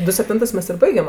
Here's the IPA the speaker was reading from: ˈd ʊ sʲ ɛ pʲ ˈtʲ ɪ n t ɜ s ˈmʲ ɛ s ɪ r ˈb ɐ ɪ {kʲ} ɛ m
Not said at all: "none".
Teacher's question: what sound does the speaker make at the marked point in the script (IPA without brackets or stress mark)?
ɡʲ